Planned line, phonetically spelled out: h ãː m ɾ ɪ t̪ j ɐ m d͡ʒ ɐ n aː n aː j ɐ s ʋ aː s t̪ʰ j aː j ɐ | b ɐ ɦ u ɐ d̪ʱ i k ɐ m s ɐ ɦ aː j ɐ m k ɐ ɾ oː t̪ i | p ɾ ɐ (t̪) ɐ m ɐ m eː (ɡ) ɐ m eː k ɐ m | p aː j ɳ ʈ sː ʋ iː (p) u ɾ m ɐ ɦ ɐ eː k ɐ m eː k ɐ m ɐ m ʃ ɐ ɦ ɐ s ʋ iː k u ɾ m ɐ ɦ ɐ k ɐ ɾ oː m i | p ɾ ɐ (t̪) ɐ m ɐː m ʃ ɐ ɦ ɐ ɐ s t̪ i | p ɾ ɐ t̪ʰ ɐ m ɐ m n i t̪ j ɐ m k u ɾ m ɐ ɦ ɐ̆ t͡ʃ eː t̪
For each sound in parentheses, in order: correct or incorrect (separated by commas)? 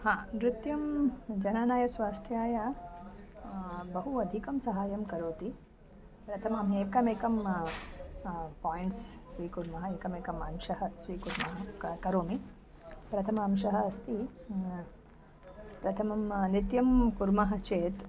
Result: incorrect, incorrect, incorrect, incorrect